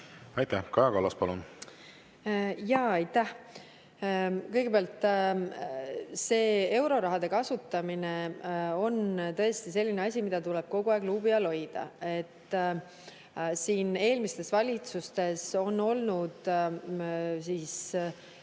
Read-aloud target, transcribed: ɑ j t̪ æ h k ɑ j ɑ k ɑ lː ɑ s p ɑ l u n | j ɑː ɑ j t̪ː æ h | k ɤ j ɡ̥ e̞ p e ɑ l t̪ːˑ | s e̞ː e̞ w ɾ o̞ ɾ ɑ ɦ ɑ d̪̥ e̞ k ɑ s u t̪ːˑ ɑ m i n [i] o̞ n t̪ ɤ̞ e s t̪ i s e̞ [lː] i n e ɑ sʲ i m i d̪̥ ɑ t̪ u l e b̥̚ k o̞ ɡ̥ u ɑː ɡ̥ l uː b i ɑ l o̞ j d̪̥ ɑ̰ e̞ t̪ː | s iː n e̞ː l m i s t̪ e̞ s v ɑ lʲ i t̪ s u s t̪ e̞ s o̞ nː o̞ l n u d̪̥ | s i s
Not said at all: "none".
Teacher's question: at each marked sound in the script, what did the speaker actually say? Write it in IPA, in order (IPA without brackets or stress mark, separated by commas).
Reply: e, lː